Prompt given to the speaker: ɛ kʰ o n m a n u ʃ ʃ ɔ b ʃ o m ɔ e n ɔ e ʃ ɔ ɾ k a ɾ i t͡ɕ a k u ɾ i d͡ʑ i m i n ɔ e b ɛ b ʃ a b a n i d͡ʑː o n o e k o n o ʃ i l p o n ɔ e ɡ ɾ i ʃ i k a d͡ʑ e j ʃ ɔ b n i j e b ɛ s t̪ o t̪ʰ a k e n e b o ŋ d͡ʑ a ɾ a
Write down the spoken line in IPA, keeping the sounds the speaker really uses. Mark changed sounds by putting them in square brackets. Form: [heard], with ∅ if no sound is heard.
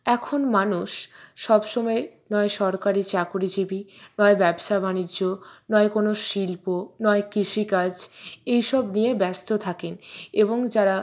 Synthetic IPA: ɛ kʰ o n m a n u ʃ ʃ ɔ b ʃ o m ɔ e n ɔ e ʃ ɔ ɾ k a ɾ i t͡ɕ a k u ɾ i d͡ʑ i [b] i n ɔ e b ɛ b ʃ a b a n i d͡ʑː o n [ɔ] e k o n o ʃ i l p o n ɔ e [k] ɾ i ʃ i k a d͡ʑ e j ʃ ɔ b n i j e b ɛ s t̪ o t̪ʰ a k e n e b o ŋ d͡ʑ a ɾ a